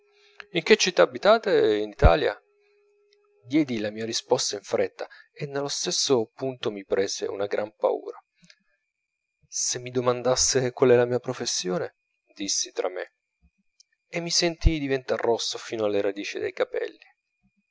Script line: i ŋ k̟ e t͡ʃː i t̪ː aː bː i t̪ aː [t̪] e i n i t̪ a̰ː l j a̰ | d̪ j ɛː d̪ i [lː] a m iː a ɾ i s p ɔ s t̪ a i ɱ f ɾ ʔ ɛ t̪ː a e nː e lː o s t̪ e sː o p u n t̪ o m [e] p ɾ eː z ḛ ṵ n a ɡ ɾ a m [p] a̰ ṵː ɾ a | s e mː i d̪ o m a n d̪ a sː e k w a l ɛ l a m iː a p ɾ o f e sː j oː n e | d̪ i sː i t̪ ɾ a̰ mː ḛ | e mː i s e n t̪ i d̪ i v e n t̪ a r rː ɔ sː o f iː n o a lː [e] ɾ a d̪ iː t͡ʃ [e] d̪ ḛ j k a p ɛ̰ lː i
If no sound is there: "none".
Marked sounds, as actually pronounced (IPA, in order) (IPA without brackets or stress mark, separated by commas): t̪, l, i, p, e, i